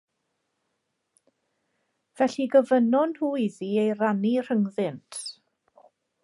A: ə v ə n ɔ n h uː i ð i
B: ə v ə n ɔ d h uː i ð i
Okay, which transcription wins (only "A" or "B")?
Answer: A